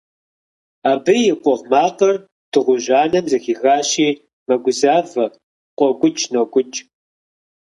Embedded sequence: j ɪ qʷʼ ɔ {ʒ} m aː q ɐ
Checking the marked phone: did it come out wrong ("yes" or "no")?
yes